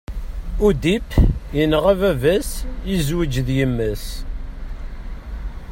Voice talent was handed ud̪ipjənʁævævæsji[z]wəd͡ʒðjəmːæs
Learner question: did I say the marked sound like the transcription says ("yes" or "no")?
yes